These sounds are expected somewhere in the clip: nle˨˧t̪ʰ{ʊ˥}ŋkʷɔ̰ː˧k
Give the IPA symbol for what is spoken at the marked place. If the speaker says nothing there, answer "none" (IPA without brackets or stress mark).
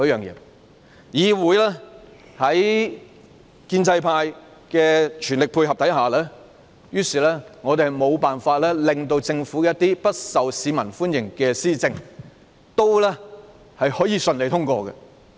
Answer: ʊ˥